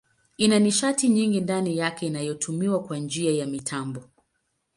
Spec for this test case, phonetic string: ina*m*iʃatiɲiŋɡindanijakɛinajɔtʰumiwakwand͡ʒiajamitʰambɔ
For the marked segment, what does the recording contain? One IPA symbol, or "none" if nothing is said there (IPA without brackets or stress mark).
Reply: n